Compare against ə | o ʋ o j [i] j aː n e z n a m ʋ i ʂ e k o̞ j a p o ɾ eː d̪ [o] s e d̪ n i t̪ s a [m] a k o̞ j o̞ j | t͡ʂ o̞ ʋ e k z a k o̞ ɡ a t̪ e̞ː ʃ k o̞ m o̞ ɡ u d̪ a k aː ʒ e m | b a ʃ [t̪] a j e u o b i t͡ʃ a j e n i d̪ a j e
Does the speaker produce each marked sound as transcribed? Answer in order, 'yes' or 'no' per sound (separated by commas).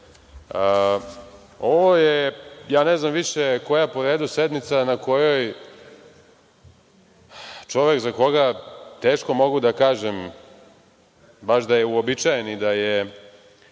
no, no, no, no